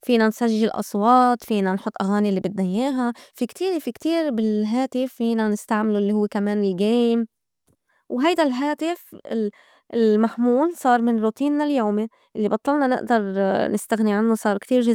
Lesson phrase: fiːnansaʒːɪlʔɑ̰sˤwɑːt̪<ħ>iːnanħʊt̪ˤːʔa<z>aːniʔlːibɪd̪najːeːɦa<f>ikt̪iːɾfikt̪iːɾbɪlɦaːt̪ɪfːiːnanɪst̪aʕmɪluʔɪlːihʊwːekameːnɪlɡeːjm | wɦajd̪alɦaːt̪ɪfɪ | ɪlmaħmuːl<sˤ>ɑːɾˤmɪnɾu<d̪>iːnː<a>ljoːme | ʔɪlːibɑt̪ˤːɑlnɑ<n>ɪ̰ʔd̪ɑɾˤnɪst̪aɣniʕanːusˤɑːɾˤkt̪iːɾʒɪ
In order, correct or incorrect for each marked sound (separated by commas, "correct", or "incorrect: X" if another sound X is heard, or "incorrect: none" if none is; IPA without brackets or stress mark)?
incorrect: f, incorrect: ɣ, correct, correct, incorrect: t̪, correct, correct